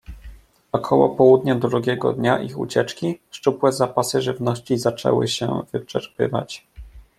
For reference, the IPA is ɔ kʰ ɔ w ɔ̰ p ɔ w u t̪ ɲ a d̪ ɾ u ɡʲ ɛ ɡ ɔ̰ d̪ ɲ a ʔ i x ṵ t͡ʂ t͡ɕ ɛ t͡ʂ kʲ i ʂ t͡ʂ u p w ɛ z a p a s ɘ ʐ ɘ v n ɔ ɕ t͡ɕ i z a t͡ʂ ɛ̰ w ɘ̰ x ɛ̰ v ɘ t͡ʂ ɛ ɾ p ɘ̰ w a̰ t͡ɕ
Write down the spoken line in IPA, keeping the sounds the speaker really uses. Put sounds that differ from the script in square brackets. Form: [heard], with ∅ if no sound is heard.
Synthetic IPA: ɔ kʰ ɔ w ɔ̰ p ɔ w u [d̪] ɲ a d̪ ɾ u ɡʲ ɛ ɡ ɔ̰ d̪ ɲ a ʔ i x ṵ [∅] t͡ɕ ɛ t͡ʂ kʲ i ʂ t͡ʂ u p w ɛ z a p a s ɘ ʐ ɘ v n ɔ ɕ t͡ɕ i z a t͡ʂ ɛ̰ w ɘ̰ [ɕ] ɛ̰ v ɘ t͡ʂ ɛ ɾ p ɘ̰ [v] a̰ t͡ɕ